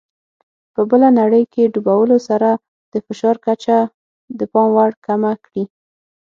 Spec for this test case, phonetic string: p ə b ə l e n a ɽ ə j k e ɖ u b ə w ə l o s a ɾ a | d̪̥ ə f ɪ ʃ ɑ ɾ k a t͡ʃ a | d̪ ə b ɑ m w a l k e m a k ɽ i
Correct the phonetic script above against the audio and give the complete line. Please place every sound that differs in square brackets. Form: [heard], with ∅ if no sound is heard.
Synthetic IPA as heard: p ə b ə l [a] n a ɽ ə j k e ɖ u b [a] w ə l o s a ɾ a | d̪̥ ə f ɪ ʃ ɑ ɾ k a t͡ʃ a | d̪ ə [p] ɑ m w a [ɽ] k [a] m a k ɽ i